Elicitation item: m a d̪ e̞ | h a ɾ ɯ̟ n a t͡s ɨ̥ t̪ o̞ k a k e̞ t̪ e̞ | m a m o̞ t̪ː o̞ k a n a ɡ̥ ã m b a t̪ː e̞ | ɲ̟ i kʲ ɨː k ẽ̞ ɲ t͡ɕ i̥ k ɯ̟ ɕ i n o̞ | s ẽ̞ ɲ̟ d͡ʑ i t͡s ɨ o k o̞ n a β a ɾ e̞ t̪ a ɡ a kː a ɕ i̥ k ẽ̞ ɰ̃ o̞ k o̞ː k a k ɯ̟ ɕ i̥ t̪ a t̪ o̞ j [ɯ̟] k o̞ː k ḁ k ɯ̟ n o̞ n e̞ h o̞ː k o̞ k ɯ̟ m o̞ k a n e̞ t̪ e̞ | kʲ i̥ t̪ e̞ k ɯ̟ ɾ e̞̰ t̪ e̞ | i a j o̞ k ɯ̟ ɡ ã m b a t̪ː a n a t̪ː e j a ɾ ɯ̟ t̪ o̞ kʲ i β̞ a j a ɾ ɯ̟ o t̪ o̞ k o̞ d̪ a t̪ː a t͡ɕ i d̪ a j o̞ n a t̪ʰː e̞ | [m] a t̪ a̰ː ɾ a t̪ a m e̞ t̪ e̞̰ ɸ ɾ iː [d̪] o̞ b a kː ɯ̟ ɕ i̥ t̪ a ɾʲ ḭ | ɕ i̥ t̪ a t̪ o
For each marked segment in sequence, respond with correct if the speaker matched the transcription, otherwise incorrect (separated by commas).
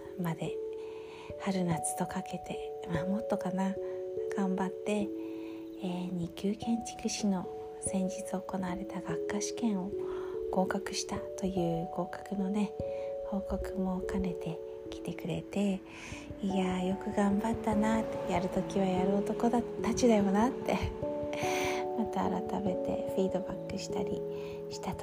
incorrect, correct, correct